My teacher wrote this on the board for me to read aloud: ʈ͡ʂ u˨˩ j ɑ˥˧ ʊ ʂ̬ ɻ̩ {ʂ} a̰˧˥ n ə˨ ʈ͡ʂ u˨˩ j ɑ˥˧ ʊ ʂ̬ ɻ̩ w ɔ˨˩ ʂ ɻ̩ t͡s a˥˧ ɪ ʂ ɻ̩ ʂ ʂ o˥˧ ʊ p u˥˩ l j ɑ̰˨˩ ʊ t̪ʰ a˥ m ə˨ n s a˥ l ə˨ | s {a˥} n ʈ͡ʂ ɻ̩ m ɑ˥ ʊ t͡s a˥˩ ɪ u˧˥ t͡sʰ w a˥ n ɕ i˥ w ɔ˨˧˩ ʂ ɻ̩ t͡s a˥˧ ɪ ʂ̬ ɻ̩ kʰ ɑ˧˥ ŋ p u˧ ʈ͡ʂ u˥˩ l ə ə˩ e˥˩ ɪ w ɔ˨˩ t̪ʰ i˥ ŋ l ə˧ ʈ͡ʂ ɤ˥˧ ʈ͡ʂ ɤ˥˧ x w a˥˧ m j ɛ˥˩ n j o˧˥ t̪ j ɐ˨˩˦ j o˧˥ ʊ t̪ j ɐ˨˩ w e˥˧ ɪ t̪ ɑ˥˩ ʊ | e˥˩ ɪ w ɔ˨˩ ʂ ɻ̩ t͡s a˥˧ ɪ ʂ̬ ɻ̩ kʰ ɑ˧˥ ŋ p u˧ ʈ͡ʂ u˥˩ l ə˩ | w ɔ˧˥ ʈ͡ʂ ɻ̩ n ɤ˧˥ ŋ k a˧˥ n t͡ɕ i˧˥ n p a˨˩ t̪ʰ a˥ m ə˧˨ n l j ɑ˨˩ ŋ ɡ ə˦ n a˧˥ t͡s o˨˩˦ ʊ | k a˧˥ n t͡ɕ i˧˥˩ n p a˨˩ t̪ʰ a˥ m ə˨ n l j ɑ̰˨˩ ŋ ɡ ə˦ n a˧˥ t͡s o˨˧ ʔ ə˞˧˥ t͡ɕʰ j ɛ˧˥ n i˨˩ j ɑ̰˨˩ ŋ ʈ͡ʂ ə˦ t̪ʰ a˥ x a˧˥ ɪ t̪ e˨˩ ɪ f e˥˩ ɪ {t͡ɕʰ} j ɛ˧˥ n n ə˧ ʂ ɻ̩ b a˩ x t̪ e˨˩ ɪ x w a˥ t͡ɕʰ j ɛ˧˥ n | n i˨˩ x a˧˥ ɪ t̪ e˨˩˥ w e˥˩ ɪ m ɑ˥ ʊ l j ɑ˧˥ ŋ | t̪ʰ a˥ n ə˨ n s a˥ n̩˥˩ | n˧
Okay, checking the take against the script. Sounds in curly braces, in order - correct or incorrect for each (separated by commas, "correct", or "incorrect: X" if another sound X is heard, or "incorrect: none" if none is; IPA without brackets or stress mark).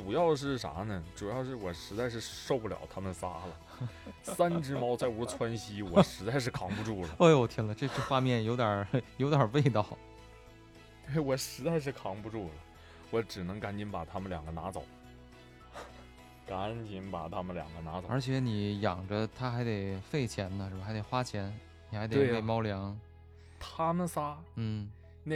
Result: correct, correct, correct